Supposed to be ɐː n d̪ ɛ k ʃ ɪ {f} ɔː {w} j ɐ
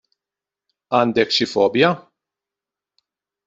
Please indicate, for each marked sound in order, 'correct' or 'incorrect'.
correct, incorrect: b

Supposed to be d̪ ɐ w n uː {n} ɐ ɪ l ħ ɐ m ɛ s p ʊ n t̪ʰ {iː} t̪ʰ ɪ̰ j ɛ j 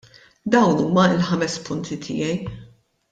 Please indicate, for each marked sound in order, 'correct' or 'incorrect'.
incorrect: m, incorrect: i

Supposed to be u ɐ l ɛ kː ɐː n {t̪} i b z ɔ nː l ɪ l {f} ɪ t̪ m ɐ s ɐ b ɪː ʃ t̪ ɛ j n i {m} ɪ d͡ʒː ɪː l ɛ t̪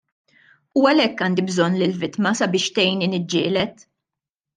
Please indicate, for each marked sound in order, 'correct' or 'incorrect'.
incorrect: d̪, incorrect: v, incorrect: n

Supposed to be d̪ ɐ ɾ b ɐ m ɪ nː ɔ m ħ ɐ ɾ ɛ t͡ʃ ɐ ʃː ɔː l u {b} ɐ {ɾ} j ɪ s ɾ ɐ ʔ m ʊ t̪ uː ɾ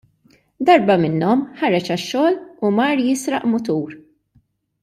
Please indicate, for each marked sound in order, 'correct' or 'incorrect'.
incorrect: m, correct

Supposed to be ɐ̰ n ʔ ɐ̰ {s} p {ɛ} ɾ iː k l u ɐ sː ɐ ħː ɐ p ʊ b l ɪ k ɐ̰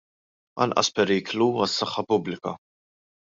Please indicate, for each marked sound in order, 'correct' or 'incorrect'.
correct, correct

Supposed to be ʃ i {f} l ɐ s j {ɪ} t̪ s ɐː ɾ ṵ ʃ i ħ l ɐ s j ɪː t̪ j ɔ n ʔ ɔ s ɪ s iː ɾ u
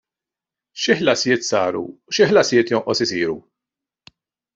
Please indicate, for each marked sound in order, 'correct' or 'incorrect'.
incorrect: ħ, incorrect: ɪː

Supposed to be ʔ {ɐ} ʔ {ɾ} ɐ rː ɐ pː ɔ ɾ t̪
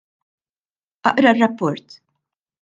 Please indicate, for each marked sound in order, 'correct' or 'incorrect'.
correct, correct

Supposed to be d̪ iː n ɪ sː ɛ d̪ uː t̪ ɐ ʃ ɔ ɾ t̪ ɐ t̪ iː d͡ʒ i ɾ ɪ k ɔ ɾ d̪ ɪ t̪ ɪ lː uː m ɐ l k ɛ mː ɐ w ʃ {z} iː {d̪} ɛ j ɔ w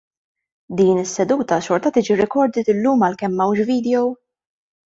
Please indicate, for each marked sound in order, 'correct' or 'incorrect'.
incorrect: v, correct

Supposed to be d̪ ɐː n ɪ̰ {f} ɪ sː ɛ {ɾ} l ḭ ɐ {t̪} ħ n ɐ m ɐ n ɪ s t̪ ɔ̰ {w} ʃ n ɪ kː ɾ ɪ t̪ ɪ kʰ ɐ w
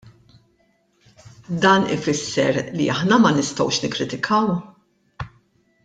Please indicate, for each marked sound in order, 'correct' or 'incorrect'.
correct, correct, incorrect: none, correct

